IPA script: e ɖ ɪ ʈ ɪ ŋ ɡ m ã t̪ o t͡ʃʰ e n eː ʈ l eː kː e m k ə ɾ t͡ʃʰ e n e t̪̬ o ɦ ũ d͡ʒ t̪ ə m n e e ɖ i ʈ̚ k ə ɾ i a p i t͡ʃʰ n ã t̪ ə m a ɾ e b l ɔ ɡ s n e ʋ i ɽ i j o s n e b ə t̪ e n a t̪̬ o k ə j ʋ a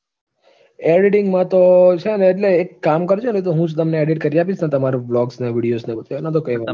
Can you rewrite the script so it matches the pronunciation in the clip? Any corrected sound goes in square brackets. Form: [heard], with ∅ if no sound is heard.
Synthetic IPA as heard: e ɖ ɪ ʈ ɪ ŋ ɡ m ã t̪ o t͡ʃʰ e n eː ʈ l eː kː [a] m k ə ɾ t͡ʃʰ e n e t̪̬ o ɦ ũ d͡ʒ t̪ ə m n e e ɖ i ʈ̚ k ə ɾ i a p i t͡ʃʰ n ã t̪ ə m a ɾ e b l ɔ ɡ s n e ʋ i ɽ i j o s n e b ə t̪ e n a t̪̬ o k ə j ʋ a